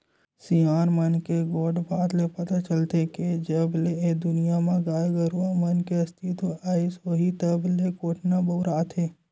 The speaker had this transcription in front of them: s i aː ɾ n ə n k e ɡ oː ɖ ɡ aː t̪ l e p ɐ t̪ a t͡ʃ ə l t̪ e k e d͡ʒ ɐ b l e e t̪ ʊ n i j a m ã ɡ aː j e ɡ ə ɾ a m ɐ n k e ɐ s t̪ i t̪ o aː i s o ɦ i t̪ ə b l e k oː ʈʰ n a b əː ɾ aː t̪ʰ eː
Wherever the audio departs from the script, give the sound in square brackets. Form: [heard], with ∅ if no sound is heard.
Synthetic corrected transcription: s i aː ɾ [m] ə n k e ɡ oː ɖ [b] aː t̪ l e p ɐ t̪ a t͡ʃ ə l t̪ e k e d͡ʒ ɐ b l e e [d̪] ʊ n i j a m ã ɡ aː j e ɡ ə ɾ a m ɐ n k e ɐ s t̪ i t̪ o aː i s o ɦ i t̪ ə b l e k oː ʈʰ n a b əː ɾ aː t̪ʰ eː